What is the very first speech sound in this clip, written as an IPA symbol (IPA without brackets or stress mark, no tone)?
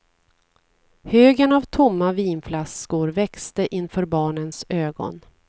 h